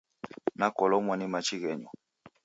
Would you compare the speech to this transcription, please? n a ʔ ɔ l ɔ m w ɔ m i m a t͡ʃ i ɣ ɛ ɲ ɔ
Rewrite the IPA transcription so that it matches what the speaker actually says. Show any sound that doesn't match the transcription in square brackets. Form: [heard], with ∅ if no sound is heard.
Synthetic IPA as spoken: n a [k] ɔ l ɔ m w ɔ [n] i m a t͡ʃ i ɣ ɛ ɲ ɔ